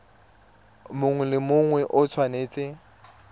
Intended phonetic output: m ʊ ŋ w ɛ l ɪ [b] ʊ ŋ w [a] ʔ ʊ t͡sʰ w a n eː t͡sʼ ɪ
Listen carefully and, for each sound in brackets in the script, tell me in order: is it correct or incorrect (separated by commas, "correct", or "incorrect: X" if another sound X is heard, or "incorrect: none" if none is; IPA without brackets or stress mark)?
incorrect: m, incorrect: ɛ